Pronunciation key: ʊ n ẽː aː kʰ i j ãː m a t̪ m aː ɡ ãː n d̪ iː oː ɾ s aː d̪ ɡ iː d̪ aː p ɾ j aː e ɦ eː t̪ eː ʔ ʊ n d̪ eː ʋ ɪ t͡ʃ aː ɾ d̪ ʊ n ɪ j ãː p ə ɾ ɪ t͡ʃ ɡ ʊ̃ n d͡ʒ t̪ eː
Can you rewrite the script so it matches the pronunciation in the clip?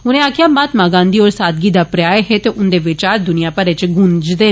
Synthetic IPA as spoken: ʊ n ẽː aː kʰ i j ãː m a t̪ m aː ɡ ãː n d̪ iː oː ɾ s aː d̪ ɡ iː d̪ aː p ɾ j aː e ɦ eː t̪ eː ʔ ʊ n d̪ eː ʋ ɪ t͡ʃ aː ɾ d̪ ʊ n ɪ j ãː p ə ɾ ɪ t͡ʃ ɡ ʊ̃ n d͡ʒ d̪ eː